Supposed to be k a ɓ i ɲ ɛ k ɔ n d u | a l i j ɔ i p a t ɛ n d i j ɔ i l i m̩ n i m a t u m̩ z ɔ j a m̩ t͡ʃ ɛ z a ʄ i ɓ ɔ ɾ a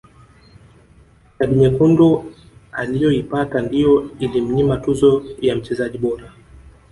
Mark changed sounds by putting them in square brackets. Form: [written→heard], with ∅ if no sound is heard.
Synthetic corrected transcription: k a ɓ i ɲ ɛ k [ɔ→u] n d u | a l i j ɔ i p a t [ɛ→a] n d i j ɔ i l i m̩ [n→ɲ] i m a t u [m̩→∅] z ɔ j a m̩ t͡ʃ ɛ z a ʄ i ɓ ɔ ɾ a